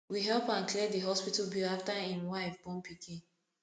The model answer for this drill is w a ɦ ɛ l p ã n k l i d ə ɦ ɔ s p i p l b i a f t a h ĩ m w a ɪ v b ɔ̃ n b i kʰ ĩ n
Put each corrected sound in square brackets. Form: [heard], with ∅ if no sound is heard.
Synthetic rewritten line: w [i] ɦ ɛ l p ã n k l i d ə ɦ ɔ s p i [t] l b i a f t a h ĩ m w a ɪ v b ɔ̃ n [p] i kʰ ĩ n

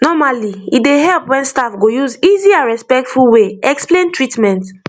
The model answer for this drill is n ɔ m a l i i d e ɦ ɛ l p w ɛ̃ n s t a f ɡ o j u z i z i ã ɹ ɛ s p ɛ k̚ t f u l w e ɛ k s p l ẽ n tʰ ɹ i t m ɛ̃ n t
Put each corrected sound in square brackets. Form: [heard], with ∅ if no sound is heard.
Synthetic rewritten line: n ɔ m a l i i d e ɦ ɛ l p w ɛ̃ n s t a f ɡ o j u z i z i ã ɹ ɛ s p ɛ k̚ t f u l w e ɛ k s p l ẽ n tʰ ɹ i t m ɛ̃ n t

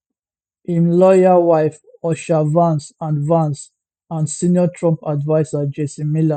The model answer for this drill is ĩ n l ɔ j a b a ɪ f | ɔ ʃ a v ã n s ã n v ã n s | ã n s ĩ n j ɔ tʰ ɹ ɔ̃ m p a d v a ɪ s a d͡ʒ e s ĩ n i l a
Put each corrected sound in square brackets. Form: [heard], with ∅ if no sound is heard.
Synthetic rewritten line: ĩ n l ɔ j a [w] a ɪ f | ɔ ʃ a v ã n s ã n v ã n s | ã n s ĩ n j ɔ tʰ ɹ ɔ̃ m p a d v a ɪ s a d͡ʒ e s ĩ [m] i l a

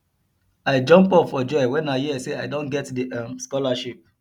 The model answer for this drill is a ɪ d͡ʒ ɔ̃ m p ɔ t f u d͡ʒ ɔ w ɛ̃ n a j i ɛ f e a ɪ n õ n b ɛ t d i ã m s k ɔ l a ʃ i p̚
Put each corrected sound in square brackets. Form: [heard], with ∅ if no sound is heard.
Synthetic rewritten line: a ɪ d͡ʒ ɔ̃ m p ɔ [p] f [ɔ] d͡ʒ ɔ w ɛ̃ n a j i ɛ [s] e a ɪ [d] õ n [ɡ] ɛ t d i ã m s k ɔ l a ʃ i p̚

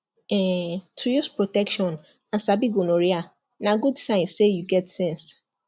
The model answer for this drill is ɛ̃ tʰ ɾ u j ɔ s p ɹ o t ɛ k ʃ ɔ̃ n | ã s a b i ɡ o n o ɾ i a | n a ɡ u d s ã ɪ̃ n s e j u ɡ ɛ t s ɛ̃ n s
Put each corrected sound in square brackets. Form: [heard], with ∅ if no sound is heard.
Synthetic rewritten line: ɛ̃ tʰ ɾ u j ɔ s p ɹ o t ɛ k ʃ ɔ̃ n | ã s a b i ɡ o n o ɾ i a | n a ɡ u d s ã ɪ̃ n s e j u ɡ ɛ t s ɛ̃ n s

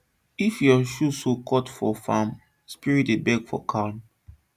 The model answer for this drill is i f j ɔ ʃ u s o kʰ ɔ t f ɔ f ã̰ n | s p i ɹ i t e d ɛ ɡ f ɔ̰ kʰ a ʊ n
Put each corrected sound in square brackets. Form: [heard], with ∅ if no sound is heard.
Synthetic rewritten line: i f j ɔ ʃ u s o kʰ ɔ t f ɔ f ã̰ [m] | s p i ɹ i t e [b] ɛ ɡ f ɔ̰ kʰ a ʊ n

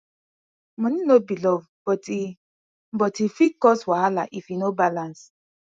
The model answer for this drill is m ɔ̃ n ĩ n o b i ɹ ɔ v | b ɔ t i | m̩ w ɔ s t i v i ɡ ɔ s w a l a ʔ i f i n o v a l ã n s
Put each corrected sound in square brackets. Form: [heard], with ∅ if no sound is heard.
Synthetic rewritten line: m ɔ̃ n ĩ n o b i [l] ɔ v | b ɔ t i | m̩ [b] ɔ [∅] t i [f] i [k] ɔ s w a l a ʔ i f i n o [b] a l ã n s

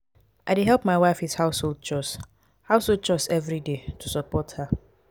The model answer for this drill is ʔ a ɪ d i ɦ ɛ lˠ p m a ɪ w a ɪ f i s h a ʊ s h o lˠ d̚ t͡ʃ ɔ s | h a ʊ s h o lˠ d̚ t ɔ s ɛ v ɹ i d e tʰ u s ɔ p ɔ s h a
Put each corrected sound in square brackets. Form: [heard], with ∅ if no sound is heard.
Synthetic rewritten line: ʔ a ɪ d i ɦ ɛ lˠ p m a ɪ w a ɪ f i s h a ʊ s h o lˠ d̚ t͡ʃ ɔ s | h a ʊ s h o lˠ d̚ [t͡ʃ] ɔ s ɛ v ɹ i d e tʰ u s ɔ p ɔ [t] h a

